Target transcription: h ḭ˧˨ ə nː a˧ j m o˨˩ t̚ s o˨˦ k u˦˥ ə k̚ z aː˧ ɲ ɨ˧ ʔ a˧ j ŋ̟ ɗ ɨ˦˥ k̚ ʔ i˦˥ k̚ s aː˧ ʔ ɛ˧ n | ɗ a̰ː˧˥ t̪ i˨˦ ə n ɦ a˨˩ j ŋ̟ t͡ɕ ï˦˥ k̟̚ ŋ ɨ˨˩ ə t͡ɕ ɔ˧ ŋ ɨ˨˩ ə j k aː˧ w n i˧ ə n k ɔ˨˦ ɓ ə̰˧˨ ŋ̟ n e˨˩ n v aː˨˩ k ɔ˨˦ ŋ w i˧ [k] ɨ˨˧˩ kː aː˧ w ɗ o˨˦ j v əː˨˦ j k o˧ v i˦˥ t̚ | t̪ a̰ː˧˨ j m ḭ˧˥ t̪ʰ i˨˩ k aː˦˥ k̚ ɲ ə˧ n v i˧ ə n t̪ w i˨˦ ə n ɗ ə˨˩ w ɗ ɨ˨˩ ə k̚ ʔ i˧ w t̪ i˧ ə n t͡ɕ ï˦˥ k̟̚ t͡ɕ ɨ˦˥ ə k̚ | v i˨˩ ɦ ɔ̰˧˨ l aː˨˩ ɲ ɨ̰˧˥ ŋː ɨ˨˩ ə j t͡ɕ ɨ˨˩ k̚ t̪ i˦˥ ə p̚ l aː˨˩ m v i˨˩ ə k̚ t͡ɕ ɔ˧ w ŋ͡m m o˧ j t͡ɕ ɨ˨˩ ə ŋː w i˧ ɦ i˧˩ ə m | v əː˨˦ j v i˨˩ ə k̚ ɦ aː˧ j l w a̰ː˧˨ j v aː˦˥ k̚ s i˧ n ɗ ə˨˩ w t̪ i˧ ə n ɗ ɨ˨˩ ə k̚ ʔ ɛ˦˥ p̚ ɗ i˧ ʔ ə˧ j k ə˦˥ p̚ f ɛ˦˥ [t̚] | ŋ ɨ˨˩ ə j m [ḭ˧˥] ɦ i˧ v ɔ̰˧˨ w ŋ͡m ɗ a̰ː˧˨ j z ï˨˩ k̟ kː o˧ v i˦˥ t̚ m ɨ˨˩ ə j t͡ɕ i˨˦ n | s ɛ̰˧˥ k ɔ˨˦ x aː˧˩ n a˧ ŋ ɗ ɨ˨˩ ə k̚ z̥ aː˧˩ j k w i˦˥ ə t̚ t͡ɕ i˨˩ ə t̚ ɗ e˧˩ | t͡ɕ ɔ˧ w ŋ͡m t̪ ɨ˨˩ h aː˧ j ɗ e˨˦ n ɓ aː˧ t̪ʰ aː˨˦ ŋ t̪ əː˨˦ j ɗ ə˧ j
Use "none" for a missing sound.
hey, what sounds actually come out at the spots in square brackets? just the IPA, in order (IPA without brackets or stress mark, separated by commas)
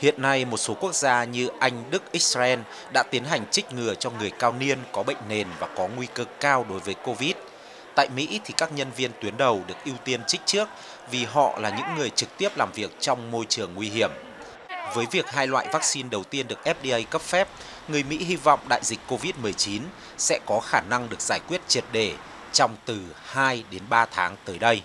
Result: k, p̚, ḭ˧˥